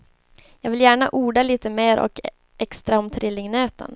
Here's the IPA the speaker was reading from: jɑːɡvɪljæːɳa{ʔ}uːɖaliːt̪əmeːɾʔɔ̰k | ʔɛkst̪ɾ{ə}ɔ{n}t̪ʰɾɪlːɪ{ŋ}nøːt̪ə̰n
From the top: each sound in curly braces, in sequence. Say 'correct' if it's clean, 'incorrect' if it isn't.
correct, incorrect: a, incorrect: m, correct

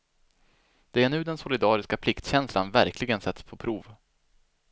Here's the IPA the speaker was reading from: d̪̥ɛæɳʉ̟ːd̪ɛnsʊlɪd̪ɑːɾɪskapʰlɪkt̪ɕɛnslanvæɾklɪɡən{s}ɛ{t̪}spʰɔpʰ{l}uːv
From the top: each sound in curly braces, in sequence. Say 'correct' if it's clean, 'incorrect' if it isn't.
correct, correct, incorrect: ɾ

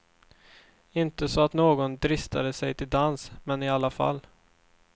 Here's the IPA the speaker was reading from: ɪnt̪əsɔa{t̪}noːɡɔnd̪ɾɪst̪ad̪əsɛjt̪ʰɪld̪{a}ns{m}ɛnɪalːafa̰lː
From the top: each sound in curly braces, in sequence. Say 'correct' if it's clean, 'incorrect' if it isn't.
correct, correct, correct

